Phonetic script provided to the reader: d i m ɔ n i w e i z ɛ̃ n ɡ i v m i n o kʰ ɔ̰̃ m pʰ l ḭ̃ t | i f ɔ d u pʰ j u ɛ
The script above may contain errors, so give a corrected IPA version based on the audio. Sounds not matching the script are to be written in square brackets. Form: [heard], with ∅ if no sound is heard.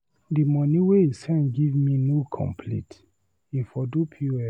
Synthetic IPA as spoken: d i m ɔ n i w e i [s] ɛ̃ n ɡ i v m i n o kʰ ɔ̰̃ m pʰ l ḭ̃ t | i f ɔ d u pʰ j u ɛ